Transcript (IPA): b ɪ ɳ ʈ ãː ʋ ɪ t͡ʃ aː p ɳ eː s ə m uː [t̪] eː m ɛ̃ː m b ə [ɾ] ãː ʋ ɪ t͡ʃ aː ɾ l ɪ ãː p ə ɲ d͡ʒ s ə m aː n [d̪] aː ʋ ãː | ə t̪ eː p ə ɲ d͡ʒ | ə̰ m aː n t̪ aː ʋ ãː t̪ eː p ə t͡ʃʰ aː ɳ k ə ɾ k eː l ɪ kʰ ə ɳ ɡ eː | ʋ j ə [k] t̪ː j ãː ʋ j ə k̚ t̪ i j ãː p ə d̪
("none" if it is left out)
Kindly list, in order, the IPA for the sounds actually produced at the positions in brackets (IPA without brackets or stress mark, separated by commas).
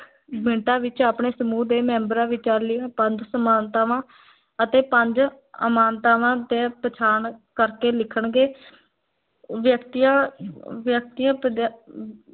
d̪, ɾ, t̪, k